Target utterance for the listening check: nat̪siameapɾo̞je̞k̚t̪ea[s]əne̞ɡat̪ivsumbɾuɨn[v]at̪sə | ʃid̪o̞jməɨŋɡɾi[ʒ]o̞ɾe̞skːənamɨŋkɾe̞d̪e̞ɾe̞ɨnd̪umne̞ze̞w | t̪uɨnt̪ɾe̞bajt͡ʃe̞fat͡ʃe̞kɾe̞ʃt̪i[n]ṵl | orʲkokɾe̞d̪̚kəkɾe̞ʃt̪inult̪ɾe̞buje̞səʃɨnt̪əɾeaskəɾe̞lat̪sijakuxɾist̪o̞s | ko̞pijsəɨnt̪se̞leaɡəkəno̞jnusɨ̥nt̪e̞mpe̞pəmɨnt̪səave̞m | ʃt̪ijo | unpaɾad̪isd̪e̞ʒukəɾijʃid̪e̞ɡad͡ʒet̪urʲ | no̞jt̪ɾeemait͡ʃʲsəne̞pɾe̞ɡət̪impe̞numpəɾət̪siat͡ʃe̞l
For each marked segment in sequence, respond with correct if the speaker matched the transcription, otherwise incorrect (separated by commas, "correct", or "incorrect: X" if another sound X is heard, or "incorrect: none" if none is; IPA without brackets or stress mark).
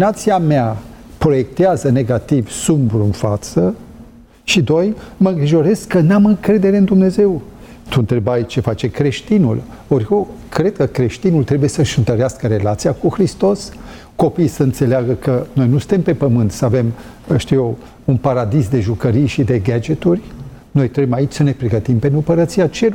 incorrect: z, incorrect: f, correct, correct